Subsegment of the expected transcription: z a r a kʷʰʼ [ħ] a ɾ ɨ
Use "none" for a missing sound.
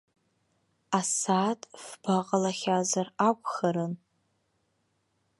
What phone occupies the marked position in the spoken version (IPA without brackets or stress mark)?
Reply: χ